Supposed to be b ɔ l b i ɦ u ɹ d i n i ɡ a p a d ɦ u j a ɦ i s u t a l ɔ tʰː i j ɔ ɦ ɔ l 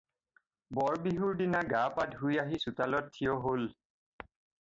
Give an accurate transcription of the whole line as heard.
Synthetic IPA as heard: b ɔ ɹ b i ɦ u ɹ d i n a ɡ a p a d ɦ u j a ɦ i s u t a l ɔ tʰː i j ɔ ɦ o l